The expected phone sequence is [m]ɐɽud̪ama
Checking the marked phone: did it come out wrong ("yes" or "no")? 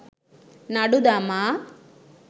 yes